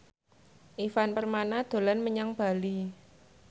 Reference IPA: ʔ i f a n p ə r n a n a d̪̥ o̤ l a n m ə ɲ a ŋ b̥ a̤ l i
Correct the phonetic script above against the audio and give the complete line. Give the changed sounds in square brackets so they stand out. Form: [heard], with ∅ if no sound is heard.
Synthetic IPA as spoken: ʔ i f a n p ə r [m] a n a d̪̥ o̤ l a n m ə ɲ a ŋ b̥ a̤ l i